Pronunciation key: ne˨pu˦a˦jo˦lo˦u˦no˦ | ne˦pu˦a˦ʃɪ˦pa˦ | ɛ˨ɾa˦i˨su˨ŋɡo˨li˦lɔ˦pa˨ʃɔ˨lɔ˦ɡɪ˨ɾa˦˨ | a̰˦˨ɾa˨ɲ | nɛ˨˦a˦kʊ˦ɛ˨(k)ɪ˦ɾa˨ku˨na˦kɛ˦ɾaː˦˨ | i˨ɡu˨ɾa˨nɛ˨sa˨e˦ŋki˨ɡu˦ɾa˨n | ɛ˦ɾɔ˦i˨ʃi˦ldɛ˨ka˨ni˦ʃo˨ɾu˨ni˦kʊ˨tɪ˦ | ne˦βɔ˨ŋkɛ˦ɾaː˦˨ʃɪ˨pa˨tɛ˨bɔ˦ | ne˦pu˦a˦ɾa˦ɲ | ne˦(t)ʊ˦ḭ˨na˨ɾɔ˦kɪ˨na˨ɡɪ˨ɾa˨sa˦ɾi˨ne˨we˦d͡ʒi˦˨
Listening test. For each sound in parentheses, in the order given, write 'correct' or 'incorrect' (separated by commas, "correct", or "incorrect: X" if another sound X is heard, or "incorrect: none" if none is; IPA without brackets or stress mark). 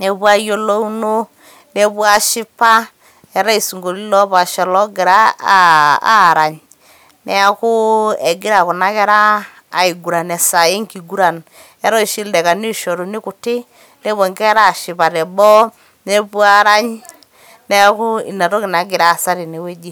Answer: incorrect: ɡ, incorrect: k